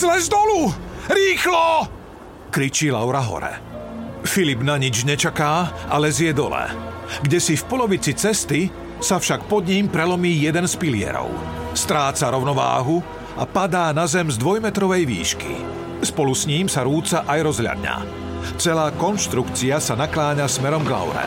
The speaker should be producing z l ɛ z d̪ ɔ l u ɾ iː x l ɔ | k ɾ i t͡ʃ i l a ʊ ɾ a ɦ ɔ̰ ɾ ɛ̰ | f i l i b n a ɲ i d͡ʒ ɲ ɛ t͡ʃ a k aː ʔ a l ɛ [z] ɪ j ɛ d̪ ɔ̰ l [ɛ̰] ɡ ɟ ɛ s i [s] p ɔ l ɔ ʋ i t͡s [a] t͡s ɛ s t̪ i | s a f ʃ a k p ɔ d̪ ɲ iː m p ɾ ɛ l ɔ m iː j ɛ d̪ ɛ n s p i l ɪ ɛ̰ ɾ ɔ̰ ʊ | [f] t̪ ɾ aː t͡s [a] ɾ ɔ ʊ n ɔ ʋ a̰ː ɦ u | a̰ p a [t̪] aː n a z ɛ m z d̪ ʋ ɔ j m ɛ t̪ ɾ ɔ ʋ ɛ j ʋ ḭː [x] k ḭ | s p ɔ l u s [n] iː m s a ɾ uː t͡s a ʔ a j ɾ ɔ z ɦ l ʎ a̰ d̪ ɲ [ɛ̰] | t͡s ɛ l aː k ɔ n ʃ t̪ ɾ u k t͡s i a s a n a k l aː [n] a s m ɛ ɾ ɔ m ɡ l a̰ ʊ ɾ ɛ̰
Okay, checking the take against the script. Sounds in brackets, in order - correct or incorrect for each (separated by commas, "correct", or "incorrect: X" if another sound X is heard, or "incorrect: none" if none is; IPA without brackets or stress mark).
correct, correct, incorrect: f, incorrect: i, incorrect: s, correct, incorrect: d̪, incorrect: ʃ, incorrect: ɲ, incorrect: a̰, incorrect: ɲ